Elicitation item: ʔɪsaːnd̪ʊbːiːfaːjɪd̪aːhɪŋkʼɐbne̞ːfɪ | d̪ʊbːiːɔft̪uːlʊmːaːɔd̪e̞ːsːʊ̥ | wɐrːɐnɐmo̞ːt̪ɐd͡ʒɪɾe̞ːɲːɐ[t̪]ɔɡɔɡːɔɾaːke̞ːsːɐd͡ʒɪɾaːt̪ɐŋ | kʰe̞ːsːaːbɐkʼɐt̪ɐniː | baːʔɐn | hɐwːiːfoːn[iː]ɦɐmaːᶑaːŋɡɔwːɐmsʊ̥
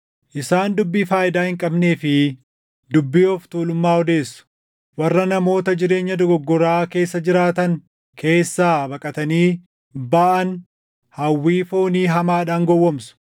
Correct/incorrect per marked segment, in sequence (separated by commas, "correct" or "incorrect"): incorrect, correct